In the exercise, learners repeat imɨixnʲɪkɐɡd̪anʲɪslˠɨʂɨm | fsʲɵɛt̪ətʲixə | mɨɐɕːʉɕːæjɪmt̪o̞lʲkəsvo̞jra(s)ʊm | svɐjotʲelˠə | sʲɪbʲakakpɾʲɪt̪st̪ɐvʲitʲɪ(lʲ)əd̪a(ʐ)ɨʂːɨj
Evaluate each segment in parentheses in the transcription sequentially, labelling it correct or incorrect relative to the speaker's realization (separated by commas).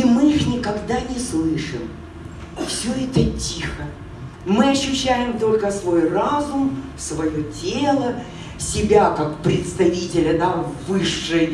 incorrect, correct, incorrect